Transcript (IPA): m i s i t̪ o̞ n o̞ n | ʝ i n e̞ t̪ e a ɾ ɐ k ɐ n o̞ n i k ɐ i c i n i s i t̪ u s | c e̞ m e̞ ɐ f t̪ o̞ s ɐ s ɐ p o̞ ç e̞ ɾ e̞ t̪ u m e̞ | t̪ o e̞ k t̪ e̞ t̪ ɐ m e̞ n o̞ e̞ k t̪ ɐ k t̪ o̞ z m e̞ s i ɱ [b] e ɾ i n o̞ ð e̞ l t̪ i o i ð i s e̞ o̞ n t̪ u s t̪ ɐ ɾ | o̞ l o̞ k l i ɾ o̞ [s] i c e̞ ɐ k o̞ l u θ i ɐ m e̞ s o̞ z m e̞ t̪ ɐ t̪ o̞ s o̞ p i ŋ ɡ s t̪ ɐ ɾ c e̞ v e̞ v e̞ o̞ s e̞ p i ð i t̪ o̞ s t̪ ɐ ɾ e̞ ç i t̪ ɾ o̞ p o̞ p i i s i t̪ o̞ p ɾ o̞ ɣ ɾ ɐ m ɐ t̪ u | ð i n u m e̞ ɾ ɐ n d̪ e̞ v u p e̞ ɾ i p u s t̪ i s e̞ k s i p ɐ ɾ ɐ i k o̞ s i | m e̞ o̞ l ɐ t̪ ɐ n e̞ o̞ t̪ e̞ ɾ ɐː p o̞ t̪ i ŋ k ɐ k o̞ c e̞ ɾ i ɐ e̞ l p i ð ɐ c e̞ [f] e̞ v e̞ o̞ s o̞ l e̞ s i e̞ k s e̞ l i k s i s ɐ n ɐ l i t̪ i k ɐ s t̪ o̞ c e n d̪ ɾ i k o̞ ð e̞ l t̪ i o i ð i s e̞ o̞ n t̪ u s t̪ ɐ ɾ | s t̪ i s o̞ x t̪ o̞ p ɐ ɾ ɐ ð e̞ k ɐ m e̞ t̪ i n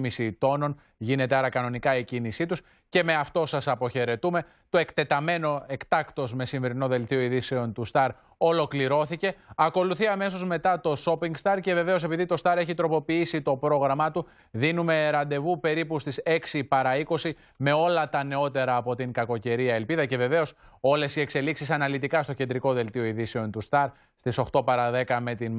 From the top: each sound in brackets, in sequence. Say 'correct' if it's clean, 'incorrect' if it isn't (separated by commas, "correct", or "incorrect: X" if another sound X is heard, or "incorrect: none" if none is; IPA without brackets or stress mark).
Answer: incorrect: v, incorrect: θ, incorrect: v